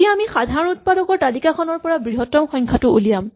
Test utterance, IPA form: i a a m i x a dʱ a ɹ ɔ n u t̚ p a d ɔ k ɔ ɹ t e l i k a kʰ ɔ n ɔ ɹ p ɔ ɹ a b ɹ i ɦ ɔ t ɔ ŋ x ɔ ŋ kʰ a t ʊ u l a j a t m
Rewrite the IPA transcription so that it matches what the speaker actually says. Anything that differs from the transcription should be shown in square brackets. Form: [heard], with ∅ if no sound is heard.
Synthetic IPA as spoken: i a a m i x a dʱ a ɹ ɔ n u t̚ p a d ɔ k ɔ ɹ t [a] l i k a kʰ ɔ n ɔ ɹ p ɔ ɹ a b ɹ i ɦ ɔ t ɔ [m] x ɔ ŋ kʰ a t ʊ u l [i] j a [∅] m

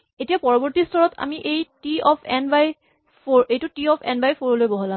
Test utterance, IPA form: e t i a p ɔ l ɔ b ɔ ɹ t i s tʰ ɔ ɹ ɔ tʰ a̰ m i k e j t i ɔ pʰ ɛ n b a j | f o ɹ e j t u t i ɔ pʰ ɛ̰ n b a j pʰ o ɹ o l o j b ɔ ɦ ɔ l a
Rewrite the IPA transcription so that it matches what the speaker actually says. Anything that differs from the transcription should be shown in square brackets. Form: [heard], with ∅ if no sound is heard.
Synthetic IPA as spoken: e t i a p ɔ [ɹ] ɔ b ɔ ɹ t i s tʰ ɔ ɹ ɔ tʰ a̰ m i [ʔ] e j t i ɔ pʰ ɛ n b a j | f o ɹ e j t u t i ɔ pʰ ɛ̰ n b a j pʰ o ɹ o l o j b ɔ ɦ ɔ l a

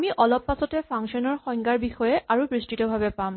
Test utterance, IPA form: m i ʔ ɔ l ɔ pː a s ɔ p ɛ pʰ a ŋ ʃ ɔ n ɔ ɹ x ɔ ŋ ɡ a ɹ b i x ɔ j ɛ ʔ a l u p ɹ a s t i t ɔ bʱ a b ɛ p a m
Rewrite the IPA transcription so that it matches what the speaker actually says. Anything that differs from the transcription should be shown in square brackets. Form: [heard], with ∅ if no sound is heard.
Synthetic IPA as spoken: m i ʔ ɔ l ɔ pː a s ɔ [t] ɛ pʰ a ŋ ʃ ɔ n ɔ ɹ x ɔ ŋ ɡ a ɹ b i x ɔ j ɛ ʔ a [ɹ] u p ɹ [i] s t i t ɔ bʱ a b ɛ p a m

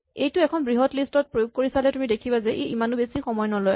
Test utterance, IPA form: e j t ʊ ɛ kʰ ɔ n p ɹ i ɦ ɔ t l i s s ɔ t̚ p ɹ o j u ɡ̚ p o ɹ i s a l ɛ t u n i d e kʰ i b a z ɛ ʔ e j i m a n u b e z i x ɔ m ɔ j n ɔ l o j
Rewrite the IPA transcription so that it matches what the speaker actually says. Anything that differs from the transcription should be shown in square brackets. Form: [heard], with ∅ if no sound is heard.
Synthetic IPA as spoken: e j t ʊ ɛ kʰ ɔ n [b] ɹ i ɦ ɔ t l i s [t] ɔ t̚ p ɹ o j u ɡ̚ [k] o ɹ i s a l ɛ t u [m] i d e kʰ i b a z ɛ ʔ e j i m a n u b e [s] i x ɔ m ɔ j n ɔ l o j

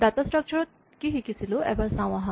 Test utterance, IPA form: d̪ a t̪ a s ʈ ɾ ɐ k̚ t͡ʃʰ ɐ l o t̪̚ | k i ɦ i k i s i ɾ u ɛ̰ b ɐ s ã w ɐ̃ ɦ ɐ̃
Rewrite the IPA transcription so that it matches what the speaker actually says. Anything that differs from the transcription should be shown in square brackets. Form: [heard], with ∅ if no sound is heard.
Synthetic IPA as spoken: d̪ a t̪ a s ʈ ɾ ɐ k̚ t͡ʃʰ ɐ [ɾ] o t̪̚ | k i ɦ i k i s i [l] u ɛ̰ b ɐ s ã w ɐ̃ ɦ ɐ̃

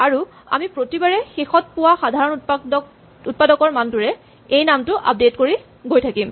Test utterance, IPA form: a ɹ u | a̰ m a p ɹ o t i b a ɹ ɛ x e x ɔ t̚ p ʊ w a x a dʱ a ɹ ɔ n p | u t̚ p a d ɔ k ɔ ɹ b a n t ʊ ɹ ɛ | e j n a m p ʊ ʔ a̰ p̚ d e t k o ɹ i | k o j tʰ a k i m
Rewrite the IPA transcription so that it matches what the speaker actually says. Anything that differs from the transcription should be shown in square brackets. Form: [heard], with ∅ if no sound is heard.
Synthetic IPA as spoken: a ɹ u | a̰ m [i] p ɹ o t i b a ɹ ɛ x e x ɔ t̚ p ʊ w a x a dʱ a ɹ ɔ n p | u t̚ p a d ɔ k ɔ ɹ [m] a n t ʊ ɹ ɛ | e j n a m [t] ʊ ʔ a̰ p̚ d e t k o ɹ i | [ɡ] o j tʰ a k i m

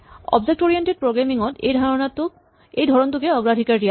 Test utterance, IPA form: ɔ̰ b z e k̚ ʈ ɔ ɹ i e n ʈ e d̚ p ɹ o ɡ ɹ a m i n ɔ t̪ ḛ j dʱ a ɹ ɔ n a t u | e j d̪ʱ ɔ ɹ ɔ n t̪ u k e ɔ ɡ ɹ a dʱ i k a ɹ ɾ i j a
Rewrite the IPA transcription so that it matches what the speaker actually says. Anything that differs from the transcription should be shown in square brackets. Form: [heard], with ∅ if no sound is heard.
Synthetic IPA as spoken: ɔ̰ b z e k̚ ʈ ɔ ɹ i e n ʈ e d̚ p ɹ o ɡ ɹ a m i [ŋ] ɔ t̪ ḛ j dʱ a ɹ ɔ n a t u | e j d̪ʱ ɔ ɹ ɔ n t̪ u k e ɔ ɡ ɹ a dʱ i k a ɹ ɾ i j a

